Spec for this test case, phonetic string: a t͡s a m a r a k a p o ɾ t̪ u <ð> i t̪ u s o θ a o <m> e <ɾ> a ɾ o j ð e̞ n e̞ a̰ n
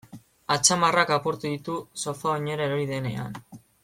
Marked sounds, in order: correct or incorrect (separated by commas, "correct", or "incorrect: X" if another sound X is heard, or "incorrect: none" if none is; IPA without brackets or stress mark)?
correct, incorrect: ɲ, correct